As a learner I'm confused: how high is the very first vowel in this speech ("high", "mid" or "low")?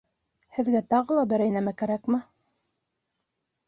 mid